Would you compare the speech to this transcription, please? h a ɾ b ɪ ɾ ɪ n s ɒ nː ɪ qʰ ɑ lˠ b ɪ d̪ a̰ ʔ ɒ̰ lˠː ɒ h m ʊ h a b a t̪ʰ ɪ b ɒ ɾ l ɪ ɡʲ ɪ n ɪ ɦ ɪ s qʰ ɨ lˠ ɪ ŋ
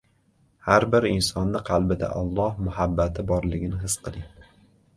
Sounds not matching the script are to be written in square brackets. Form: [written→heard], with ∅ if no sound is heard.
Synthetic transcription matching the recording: h a ɾ b ɪ ɾ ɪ n s ɒ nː ɪ qʰ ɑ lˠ b ɪ d̪ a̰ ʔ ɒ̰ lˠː ɒ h m ʊ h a [b→bː] a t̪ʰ ɪ b ɒ ɾ l ɪ ɡʲ ɪ n ɪ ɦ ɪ s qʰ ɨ lˠ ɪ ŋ